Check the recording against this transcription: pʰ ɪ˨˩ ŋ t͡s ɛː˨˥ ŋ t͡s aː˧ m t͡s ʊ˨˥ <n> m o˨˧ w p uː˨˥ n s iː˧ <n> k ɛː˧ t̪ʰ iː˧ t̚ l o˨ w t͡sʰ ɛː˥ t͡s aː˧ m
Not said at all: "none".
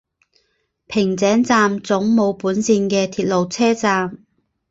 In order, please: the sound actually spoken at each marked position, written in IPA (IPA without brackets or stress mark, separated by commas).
ŋ, n